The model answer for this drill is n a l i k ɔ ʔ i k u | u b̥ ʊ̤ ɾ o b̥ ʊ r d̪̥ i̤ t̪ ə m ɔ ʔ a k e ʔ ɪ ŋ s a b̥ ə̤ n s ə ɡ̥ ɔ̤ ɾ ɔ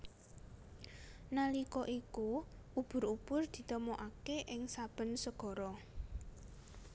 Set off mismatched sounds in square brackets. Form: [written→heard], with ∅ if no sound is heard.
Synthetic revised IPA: n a l i k ɔ ʔ i k u | u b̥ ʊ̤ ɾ [o→u] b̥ ʊ r d̪̥ i̤ t̪ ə m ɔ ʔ a k e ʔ ɪ ŋ s a b̥ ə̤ n s ə ɡ̥ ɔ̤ ɾ ɔ